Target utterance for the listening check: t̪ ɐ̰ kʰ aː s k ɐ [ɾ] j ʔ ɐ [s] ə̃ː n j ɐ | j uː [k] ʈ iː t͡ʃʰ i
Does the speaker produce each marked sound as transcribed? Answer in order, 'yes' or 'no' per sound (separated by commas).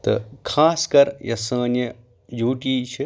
yes, yes, no